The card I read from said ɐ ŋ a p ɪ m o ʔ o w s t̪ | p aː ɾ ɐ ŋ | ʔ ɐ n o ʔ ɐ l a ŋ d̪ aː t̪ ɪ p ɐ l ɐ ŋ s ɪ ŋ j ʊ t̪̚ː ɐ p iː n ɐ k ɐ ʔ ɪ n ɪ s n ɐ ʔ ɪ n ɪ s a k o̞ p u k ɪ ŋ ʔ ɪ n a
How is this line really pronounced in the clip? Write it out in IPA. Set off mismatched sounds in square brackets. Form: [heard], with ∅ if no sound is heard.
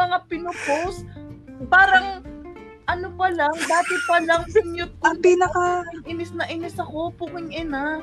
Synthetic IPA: ɐ ŋ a p ɪ [n] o [p] o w s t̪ | p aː ɾ ɐ ŋ | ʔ ɐ n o [p] ɐ l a ŋ d̪ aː t̪ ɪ p ɐ l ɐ ŋ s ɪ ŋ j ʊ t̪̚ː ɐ p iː n ɐ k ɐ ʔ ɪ n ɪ s n ɐ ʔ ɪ n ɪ s [ɐ] k o̞ p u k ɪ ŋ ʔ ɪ n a